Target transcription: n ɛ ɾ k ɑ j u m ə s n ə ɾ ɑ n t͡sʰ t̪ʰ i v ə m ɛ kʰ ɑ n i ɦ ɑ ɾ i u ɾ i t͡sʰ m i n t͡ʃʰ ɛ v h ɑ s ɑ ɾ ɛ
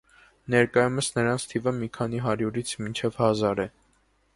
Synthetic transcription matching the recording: n ɛ ɾ k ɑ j u m ə s n ə ɾ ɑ n t͡sʰ t̪ʰ i v ə m i kʰ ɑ n i ɦ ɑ ɾ j u ɾ i t͡sʰ m i n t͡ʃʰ ɛ v h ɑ z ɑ ɾ ɛ